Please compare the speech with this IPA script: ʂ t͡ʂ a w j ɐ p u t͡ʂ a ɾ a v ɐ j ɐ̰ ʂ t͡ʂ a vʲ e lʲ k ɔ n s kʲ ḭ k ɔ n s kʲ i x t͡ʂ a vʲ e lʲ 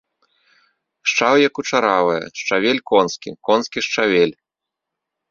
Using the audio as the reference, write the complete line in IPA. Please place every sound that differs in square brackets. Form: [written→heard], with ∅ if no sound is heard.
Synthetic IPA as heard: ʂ t͡ʂ a w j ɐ [p→k] u t͡ʂ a ɾ a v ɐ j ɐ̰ ʂ t͡ʂ a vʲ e lʲ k ɔ n s kʲ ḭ k ɔ n s kʲ i [x→ʂ] t͡ʂ a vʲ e lʲ